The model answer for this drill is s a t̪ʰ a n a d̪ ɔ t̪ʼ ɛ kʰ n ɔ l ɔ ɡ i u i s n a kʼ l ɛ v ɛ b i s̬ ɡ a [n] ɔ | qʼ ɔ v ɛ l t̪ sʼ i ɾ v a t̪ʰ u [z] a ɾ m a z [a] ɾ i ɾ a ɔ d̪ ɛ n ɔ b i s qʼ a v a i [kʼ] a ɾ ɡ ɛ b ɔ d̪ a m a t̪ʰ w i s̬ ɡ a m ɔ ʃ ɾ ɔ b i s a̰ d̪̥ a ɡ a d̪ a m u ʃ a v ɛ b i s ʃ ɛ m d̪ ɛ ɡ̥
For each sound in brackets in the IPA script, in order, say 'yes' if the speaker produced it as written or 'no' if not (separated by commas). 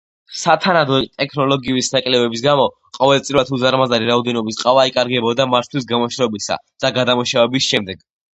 no, yes, yes, yes